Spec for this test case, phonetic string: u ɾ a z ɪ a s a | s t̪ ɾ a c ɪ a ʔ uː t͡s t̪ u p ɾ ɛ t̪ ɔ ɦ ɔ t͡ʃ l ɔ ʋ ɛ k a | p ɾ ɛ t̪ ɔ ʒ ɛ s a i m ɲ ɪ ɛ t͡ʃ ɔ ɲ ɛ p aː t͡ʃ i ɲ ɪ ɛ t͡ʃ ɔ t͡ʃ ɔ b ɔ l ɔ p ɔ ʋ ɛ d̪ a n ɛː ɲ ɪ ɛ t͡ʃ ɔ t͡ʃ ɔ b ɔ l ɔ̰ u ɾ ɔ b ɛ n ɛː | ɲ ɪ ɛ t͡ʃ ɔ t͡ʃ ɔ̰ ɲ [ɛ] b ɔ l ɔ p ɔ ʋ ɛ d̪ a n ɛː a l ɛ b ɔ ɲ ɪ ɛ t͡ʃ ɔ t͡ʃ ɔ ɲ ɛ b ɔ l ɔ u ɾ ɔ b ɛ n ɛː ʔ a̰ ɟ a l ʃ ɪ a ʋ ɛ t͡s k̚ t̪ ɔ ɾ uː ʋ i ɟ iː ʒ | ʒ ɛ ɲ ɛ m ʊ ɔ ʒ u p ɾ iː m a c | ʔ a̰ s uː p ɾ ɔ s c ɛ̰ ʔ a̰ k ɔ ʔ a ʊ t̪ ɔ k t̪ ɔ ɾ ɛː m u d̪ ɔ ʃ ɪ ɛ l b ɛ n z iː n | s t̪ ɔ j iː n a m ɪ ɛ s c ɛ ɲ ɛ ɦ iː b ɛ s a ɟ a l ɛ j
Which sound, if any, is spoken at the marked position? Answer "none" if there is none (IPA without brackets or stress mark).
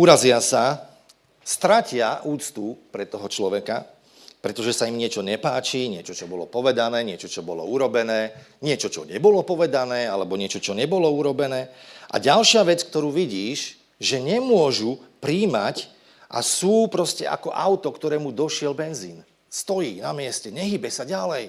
ɛ